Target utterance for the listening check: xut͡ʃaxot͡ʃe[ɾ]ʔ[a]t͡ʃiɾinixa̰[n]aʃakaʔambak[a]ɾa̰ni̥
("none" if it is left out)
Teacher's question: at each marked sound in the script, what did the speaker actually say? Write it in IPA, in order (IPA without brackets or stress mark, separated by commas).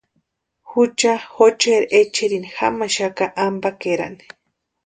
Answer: ɾ, e, m, e